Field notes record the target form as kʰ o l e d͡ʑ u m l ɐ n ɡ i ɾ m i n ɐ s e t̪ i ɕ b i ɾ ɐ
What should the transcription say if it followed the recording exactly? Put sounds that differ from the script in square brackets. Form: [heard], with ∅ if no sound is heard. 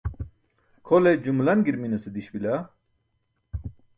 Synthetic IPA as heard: kʰ o l e d͡ʑ u m l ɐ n ɡ i ɾ m i n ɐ s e [d̪] i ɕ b i [l] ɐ